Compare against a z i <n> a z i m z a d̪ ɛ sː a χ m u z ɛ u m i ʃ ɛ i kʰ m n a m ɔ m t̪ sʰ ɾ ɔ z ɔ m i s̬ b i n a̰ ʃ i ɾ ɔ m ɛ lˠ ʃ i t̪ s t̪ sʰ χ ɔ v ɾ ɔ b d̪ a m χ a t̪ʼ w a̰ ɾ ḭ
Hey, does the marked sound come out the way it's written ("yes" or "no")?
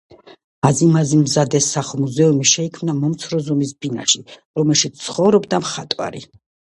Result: no